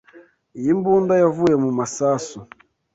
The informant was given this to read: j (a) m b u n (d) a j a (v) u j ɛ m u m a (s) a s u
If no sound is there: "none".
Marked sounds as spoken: i, d, v, s

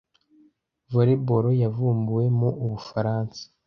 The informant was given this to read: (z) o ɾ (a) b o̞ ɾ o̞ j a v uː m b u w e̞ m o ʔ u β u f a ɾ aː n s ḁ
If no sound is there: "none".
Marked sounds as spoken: v, e

